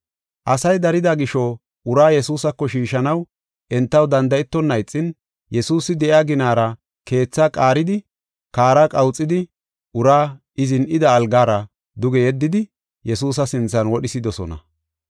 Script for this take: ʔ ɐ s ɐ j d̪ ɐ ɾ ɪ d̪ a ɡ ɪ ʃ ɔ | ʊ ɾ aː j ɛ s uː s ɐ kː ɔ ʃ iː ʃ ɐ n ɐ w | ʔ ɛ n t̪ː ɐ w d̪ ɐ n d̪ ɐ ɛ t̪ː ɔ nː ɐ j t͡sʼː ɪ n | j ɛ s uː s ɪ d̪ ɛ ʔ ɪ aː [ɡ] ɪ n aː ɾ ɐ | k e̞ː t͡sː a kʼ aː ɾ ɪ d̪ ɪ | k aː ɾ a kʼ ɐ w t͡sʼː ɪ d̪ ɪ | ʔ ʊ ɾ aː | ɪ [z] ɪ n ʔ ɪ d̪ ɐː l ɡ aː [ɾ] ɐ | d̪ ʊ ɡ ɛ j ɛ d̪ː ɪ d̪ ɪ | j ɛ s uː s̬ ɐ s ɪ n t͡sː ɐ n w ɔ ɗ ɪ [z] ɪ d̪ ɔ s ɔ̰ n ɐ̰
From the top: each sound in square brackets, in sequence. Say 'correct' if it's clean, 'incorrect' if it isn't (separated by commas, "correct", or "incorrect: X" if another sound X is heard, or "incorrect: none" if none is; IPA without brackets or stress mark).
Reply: correct, correct, correct, incorrect: s